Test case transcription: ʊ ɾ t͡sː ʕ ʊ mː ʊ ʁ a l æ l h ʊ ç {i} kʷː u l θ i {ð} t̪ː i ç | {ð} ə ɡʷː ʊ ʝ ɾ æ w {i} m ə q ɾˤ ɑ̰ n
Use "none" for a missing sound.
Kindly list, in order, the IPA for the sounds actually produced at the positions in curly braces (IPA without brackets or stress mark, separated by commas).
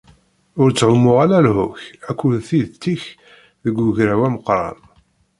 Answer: æ, ð, ð, æ